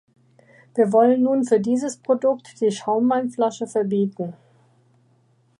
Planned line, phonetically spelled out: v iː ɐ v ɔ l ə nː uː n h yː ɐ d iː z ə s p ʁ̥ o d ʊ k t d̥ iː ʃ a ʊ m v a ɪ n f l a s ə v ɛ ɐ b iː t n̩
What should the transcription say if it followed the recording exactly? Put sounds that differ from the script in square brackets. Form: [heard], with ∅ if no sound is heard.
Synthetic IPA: v iː ɐ v ɔ l ə nː uː n [f] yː ɐ d iː z ə s p ʁ̥ o d ʊ k t d̥ iː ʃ a ʊ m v a ɪ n f l a [ʃ] ə [f] ɛ ɐ b iː t n̩